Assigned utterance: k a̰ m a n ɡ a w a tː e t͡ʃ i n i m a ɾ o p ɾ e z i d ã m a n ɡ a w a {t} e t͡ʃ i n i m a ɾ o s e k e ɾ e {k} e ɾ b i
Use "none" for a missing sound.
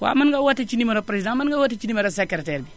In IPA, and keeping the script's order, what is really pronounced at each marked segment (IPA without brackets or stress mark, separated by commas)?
t, t